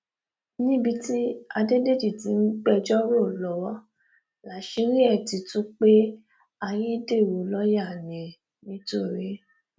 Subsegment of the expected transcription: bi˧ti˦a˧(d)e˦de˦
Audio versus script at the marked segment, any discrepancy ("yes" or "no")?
no